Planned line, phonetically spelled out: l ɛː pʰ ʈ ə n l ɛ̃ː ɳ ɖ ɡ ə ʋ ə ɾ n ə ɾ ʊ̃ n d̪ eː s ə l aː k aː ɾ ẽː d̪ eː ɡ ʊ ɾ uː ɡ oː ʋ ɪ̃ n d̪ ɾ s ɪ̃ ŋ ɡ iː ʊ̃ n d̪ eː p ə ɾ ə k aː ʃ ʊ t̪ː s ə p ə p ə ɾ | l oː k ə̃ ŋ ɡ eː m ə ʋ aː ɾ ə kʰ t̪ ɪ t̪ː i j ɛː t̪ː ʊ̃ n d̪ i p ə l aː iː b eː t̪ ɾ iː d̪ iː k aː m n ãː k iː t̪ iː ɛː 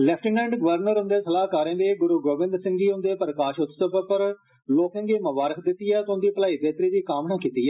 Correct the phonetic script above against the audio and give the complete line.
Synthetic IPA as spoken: l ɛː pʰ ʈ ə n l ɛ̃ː ɳ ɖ ɡ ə ʋ ə ɾ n ə ɾ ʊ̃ n d̪ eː s ə l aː k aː ɾ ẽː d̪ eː ɡ ʊ ɾ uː ɡ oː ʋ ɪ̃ n d̪ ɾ s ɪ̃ ŋ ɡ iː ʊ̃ n d̪ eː p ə ɾ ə k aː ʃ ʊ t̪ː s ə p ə p ə ɾ | l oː k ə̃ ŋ ɡ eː m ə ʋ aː ɾ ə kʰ d̪ ɪ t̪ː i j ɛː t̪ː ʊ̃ n d̪ iː p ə l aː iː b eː t̪ ɾ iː d̪ iː k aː m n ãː k iː t̪ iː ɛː